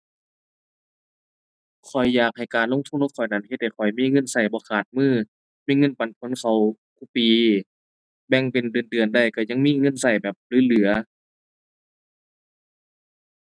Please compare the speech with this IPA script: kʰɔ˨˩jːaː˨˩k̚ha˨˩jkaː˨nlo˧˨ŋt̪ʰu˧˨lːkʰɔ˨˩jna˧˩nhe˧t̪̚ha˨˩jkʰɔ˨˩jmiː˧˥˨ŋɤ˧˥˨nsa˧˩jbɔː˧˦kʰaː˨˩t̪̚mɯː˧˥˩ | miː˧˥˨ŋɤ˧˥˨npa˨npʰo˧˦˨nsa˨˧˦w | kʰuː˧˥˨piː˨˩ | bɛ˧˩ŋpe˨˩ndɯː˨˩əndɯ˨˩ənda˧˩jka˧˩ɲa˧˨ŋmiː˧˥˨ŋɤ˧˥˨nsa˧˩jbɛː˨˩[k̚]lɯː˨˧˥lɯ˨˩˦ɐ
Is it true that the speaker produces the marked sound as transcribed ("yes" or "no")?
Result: no